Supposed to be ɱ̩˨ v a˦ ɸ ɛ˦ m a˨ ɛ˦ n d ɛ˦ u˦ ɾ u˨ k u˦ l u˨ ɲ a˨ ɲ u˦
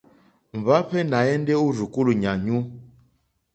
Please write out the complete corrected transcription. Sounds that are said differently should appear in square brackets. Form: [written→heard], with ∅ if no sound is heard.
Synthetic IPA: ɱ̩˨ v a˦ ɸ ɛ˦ [m→n] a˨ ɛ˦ n d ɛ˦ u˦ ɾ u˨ k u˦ l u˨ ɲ a˨ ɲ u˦